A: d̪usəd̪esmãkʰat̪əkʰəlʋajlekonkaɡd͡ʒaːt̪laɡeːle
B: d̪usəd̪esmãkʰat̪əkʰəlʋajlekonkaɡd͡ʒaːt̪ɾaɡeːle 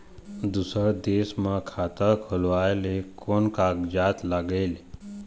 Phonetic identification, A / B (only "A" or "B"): A